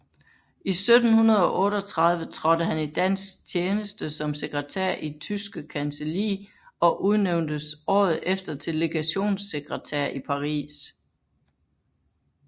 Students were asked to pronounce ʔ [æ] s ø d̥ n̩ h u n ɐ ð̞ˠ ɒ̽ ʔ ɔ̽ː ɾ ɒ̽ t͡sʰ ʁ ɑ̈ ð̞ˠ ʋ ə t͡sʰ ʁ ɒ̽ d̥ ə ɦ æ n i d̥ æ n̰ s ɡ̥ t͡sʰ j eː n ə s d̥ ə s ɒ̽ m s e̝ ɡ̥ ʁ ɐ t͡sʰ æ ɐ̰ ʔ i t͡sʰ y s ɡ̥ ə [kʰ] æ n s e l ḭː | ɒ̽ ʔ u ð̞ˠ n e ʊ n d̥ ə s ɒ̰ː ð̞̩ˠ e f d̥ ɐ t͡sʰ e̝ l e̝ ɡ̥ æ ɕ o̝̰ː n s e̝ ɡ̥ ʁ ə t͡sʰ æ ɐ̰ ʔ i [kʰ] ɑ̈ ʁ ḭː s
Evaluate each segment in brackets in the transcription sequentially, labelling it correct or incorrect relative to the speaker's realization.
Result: incorrect, correct, incorrect

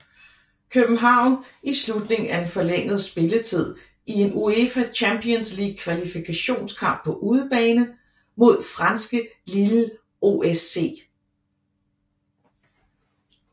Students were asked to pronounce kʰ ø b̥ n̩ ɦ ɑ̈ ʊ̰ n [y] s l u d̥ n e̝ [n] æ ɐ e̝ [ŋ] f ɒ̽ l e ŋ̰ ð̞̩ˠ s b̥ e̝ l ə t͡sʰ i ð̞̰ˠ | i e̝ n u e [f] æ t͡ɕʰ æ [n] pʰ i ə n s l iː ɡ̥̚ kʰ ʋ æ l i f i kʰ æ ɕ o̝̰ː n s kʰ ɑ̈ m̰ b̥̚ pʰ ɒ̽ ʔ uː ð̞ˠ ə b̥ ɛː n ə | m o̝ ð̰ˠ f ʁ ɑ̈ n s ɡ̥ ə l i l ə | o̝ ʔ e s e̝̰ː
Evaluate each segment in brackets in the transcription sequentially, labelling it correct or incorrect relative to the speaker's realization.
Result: incorrect, incorrect, incorrect, correct, incorrect

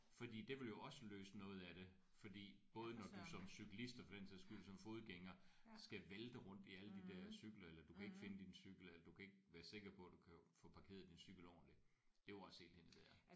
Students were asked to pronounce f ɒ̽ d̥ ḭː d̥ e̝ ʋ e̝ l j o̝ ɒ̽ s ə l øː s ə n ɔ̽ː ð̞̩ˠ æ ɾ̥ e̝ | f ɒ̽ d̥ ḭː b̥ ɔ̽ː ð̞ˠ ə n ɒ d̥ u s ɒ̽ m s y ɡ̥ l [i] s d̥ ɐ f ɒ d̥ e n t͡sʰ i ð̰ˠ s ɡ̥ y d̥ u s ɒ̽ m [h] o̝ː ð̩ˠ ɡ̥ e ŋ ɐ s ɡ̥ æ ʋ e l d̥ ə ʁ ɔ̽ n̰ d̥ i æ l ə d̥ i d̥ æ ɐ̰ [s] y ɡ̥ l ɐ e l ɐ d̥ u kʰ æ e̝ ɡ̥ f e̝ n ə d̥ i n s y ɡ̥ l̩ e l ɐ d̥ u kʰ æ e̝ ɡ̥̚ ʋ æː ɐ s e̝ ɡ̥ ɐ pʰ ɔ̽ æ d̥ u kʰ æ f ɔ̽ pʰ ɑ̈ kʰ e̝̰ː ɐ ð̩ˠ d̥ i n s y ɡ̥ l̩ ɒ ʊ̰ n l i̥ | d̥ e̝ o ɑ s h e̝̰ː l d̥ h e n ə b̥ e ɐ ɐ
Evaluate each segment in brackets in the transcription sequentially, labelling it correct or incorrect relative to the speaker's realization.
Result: correct, incorrect, correct

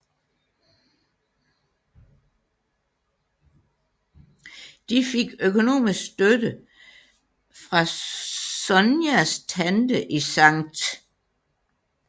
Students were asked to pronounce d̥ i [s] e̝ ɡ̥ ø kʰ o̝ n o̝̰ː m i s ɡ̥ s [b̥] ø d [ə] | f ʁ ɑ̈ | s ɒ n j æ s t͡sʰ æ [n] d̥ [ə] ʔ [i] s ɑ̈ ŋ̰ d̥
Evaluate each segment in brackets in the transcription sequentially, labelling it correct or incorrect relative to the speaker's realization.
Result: incorrect, incorrect, correct, correct, correct, correct

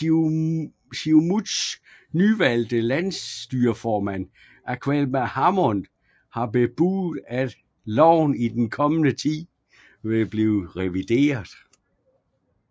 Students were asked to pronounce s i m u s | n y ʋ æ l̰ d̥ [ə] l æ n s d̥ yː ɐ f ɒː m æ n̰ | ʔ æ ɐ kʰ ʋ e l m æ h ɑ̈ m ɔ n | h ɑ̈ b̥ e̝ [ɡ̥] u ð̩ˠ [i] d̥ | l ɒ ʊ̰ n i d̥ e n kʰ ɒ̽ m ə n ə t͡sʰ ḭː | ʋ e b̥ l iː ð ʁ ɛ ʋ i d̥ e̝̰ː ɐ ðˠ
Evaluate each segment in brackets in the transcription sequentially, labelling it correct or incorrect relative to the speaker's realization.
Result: correct, incorrect, incorrect

